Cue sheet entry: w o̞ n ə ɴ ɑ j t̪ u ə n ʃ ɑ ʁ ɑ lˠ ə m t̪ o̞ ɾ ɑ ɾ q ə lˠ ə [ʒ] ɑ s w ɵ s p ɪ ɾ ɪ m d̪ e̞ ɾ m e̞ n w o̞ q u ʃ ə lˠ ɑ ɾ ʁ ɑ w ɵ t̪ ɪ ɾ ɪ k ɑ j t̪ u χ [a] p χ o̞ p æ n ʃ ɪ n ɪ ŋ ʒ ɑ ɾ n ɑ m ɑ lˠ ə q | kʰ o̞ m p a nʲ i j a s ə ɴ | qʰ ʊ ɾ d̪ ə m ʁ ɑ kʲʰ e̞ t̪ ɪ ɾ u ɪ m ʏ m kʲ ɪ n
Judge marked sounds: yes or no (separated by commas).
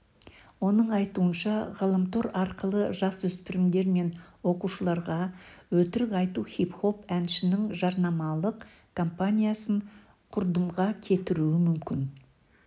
yes, no